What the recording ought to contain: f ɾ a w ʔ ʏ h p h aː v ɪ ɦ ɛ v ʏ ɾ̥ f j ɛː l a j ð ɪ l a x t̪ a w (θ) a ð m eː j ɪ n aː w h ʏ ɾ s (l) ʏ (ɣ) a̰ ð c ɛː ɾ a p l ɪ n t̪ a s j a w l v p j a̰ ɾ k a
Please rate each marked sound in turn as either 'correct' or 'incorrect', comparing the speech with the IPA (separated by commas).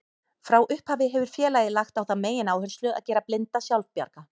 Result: correct, correct, correct